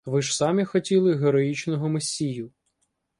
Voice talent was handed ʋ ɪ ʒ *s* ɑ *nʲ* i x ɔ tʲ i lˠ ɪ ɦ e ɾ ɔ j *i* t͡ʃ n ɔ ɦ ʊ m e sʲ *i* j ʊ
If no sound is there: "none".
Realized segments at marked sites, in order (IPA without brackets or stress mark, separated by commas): s, mʲ, i, i